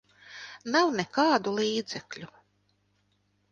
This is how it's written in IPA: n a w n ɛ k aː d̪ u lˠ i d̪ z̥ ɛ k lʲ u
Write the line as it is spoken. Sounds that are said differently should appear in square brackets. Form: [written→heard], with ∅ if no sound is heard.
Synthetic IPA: n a w n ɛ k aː d̪ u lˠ [i→iː] d̪ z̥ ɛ k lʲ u